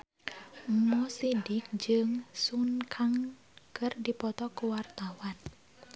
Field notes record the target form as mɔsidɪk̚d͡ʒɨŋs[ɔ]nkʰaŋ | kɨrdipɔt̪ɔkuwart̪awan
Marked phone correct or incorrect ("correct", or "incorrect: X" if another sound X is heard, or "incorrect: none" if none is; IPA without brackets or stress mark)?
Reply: incorrect: u